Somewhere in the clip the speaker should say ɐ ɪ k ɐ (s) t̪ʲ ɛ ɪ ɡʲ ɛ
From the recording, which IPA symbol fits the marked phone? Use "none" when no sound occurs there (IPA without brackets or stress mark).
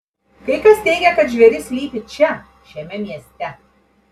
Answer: s